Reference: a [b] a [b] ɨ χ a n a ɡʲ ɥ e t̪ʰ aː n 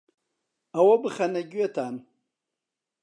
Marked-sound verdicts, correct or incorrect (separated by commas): incorrect, correct